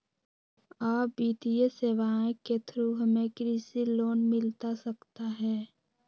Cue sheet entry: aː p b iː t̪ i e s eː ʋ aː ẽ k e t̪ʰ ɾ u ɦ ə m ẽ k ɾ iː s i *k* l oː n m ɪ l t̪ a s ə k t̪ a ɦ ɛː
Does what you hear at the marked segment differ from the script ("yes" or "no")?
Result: yes